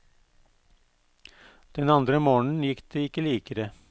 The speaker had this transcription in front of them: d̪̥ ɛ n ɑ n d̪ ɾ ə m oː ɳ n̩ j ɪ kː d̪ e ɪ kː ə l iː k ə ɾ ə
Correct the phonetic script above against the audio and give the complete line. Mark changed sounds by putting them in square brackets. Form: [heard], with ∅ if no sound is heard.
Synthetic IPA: d̪̥ ɛ n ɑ n d̪ ɾ ə m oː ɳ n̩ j ɪ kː d̪ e ɪ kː ə l iː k ə ɾ ə